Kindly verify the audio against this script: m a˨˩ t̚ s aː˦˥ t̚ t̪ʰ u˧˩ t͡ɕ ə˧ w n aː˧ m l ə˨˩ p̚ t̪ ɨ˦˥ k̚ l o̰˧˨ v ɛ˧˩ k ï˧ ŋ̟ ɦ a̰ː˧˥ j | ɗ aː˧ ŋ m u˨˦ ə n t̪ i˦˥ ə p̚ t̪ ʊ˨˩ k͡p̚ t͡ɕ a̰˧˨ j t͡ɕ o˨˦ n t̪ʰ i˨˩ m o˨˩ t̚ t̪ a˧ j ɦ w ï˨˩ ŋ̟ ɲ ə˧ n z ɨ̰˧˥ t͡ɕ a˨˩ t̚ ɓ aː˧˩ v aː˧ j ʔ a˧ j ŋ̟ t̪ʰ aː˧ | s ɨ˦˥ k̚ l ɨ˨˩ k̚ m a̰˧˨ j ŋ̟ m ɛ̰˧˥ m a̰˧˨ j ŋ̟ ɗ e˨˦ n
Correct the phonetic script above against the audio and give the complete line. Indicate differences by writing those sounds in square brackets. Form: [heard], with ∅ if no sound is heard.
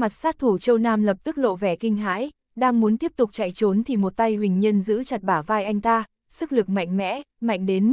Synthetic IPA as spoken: m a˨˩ t̚ s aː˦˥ t̚ t̪ʰ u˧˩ t͡ɕ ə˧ w n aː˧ m l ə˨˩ p̚ t̪ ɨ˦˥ k̚ l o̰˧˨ v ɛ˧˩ k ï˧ ŋ̟ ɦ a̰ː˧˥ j | ɗ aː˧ ŋ m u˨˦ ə n t̪ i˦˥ ə p̚ t̪ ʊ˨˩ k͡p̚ t͡ɕ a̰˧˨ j t͡ɕ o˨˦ n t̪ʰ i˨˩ m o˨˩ t̚ t̪ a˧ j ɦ w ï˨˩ ŋ̟ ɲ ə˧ n z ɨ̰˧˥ t͡ɕ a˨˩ t̚ ɓ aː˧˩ v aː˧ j ʔ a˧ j ŋ̟ [t̪] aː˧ | s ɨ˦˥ k̚ l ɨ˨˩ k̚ m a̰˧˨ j ŋ̟ m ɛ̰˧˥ m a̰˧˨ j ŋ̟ ɗ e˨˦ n